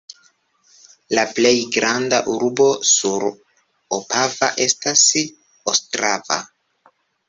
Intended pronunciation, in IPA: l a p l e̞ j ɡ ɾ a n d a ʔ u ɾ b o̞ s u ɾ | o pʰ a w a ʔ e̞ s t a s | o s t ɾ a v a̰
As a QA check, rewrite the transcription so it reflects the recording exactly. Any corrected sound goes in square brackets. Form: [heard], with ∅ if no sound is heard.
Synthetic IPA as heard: l a p l e̞ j ɡ ɾ a n d a ʔ u ɾ b o̞ s u ɾ | o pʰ a [v] a ʔ e̞ s t a s | o s t ɾ a v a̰